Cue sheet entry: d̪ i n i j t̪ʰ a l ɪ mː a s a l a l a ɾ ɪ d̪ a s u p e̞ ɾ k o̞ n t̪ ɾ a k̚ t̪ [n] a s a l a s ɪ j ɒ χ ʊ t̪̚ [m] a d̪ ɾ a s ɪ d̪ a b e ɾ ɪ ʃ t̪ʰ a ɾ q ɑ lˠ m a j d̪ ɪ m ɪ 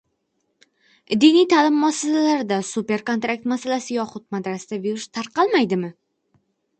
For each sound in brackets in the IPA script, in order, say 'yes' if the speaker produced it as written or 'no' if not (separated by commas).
no, yes